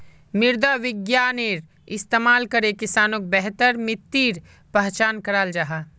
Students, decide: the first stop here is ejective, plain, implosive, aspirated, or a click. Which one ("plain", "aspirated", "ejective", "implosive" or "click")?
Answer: plain